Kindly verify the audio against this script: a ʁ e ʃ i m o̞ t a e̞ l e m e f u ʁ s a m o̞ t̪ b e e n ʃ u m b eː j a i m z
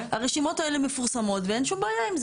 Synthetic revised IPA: a ʁ e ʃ i m o̞ t a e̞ l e m e f u ʁ s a m o̞ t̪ v e e n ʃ u m b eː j a i m z

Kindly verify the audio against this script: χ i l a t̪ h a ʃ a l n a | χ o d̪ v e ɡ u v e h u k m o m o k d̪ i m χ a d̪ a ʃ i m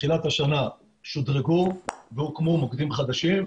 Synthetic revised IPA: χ i l a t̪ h a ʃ a n a | ʃ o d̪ ʁ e ɡ u v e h u k m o m o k d̪ i m χ a d̪ a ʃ i m

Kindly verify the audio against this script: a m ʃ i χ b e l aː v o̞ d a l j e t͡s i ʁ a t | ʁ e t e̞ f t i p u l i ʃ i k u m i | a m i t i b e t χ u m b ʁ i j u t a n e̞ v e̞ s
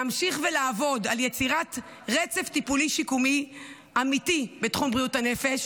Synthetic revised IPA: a m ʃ i χ v e l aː v o̞ d a l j e t͡s i ʁ a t | ʁ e t͡s e̞ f t i p u l i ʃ i k u m i | a m i t i b e t χ u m b ʁ i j u t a n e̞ f e̞ ʃ

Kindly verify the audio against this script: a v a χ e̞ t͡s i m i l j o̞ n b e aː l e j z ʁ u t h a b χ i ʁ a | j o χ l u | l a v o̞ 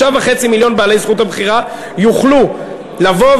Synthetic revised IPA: a v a χ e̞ t͡s i m i l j o̞ n b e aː l e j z χ u t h a b χ i ʁ a | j u χ l u | l a v o̞

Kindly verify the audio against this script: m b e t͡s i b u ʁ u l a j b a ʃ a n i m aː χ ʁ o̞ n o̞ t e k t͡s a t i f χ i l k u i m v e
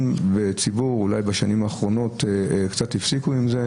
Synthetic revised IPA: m b e t͡s i b u ʁ u l a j b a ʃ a n i m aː χ ʁ o̞ n o̞ t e k t͡s a t i f s i k u i m z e

